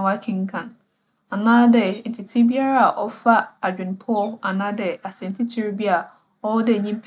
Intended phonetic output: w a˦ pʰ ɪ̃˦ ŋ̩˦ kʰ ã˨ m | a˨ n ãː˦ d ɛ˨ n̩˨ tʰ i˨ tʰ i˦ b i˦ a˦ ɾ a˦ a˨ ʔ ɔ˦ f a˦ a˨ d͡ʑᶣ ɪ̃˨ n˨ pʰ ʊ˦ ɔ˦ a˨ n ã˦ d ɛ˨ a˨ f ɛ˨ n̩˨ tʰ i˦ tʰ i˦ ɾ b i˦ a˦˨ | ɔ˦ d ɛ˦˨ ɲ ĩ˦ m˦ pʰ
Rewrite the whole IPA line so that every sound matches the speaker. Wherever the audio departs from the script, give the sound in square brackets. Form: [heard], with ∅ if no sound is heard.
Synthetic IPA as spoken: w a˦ [kʰ] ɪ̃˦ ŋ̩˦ kʰ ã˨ [n] | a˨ n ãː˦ d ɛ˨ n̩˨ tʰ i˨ tʰ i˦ b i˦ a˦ ɾ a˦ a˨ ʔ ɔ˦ f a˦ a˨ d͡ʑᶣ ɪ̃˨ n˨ pʰ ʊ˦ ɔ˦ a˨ n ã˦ d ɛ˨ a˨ [s] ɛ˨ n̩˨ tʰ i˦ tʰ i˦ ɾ b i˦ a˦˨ | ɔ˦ d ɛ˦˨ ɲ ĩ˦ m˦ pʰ